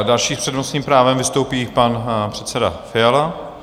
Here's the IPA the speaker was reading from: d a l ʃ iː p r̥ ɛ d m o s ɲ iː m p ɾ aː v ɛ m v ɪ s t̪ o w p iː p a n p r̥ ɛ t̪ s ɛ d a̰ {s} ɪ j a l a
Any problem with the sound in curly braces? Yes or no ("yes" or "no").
yes